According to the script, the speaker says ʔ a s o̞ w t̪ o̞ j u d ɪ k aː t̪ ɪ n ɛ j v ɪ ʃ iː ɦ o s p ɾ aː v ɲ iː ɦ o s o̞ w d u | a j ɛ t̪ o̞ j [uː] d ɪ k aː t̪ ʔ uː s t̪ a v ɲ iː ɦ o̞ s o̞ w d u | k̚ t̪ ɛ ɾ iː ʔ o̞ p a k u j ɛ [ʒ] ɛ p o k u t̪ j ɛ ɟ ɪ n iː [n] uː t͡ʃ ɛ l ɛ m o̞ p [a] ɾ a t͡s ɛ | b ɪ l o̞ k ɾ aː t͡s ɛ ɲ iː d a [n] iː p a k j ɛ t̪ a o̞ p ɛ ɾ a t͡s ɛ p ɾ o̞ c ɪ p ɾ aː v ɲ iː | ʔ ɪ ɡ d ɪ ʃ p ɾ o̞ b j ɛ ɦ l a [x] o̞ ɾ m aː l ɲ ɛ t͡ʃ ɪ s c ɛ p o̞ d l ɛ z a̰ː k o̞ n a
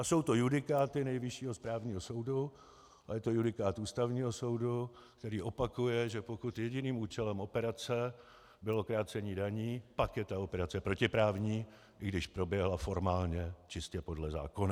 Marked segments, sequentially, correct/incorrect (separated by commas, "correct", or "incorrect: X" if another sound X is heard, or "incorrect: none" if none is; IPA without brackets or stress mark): incorrect: u, correct, incorrect: m, incorrect: ɛ, incorrect: ɲ, incorrect: f